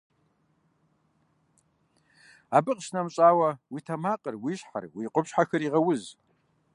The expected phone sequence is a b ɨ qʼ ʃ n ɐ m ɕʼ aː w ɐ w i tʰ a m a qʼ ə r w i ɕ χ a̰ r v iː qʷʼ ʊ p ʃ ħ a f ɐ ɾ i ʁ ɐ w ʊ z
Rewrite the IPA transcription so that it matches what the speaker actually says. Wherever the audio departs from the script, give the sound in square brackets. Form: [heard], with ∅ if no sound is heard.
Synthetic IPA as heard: a b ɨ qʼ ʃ n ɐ m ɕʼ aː w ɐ w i tʰ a m a qʼ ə r w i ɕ [ħ] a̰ r [w] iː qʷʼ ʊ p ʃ ħ a [x] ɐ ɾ i ʁ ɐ w ʊ z